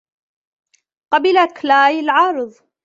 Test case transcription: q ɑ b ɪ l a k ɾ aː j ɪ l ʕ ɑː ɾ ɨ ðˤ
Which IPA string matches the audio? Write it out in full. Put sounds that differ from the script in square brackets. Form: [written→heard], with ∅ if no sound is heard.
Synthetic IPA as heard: q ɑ b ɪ l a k [ɾ→l] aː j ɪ l ʕ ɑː ɾ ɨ ðˤ